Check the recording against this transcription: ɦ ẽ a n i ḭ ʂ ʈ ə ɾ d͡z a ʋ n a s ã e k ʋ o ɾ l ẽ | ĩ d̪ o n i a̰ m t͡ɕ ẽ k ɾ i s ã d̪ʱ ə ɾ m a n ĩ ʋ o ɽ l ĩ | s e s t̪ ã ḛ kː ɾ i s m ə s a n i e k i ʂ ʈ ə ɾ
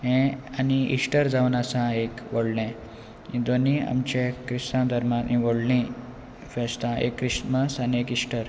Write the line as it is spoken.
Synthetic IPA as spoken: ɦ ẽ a n i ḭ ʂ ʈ ə ɾ d͡z a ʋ n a s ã e k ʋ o ɽ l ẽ | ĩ d̪ o n i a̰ m t͡ɕ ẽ k ɾ i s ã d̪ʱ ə ɾ m a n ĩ ʋ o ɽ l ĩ | f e s t̪ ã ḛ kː ɾ i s m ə s a n i e k i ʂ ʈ ə ɾ